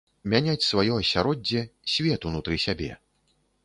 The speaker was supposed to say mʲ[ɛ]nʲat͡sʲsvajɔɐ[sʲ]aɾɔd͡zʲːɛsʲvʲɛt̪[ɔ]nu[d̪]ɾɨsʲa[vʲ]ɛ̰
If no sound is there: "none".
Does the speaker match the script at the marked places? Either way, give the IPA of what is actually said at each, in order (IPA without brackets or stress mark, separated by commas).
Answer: a, sʲ, u, t̪, bʲ